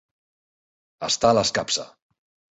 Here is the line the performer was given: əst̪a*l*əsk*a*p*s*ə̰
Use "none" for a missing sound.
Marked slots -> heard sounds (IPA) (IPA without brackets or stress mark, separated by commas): l, a, s